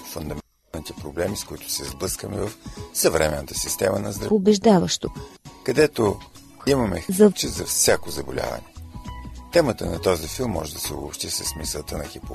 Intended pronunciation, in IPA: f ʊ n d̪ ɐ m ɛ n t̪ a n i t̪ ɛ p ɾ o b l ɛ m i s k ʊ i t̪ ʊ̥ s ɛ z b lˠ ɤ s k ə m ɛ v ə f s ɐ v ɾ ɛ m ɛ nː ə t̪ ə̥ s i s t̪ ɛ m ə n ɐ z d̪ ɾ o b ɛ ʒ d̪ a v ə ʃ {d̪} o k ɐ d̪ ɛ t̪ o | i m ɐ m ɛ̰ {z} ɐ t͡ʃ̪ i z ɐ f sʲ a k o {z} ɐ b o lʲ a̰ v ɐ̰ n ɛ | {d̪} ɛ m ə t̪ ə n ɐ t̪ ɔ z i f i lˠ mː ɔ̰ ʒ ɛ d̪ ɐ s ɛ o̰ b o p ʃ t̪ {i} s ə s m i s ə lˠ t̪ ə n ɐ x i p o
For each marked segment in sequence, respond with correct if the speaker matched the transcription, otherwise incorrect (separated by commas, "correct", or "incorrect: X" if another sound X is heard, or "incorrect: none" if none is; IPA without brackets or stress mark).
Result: incorrect: t̪, correct, correct, incorrect: t̪, correct